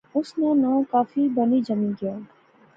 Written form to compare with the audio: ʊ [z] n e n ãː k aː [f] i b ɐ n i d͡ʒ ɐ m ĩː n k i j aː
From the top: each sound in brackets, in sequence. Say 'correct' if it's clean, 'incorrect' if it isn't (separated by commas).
incorrect, correct